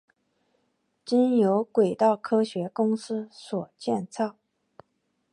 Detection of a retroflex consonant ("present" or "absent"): absent